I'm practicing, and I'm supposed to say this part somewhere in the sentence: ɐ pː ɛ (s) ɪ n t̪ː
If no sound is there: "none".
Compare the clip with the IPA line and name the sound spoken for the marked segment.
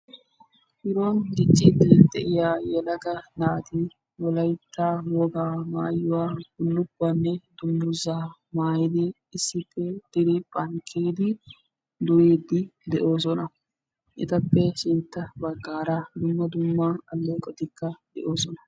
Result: ʃ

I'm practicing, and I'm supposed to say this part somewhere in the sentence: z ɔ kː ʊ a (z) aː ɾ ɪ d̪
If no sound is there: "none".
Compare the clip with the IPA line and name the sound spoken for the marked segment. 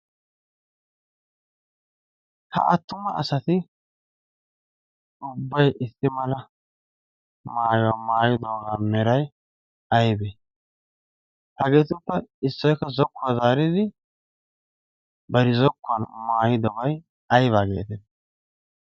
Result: z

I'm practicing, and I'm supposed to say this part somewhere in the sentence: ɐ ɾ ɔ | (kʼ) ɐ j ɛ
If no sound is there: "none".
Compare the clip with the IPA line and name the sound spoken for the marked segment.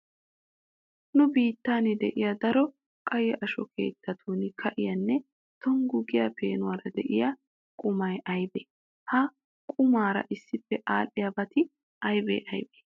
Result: kʼ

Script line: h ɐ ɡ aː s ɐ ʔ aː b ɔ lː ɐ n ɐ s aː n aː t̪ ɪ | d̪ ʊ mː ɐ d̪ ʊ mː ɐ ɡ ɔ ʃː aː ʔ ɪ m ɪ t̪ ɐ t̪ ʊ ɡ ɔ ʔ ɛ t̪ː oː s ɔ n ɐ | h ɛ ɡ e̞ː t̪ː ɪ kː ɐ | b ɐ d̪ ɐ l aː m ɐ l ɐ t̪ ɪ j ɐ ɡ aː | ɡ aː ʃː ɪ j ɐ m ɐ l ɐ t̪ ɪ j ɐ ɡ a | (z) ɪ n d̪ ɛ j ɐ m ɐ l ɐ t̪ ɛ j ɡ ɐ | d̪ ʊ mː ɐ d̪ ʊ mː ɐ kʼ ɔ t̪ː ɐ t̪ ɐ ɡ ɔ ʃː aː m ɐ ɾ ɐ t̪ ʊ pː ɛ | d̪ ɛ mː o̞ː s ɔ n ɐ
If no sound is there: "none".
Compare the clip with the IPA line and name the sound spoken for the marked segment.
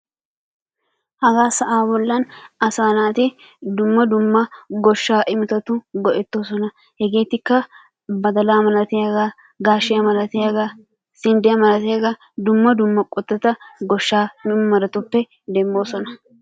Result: s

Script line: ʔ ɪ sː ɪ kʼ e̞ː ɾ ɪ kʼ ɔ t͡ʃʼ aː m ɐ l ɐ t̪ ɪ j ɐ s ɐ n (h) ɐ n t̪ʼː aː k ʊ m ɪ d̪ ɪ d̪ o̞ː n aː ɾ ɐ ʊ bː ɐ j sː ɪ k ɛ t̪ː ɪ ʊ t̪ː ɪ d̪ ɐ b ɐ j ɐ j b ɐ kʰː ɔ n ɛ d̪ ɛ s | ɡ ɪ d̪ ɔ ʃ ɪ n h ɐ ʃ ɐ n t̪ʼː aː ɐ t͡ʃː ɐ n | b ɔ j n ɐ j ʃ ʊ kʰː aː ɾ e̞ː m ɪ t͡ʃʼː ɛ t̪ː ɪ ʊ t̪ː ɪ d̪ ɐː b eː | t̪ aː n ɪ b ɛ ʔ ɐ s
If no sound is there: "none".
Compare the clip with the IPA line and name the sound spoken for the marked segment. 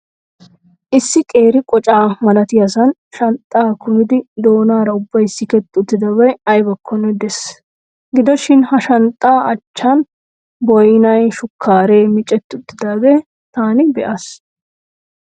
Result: ʃ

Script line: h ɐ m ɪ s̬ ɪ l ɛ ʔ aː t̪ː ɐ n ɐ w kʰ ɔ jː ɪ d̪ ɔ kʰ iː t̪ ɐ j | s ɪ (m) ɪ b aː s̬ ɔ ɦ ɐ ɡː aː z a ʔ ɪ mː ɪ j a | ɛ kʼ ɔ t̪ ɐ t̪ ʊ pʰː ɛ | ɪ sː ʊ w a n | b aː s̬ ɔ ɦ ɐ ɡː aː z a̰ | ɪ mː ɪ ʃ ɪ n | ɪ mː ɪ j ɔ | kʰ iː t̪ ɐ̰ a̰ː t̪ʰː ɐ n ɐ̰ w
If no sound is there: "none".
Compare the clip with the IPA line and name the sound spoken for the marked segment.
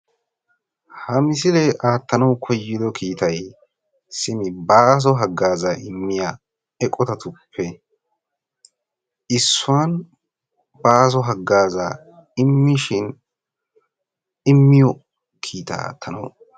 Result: m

